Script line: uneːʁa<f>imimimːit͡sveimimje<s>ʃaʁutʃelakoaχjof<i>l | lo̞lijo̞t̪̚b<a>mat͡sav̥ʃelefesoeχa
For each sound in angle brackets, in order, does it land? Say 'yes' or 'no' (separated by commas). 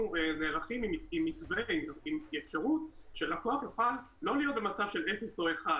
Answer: no, no, no, no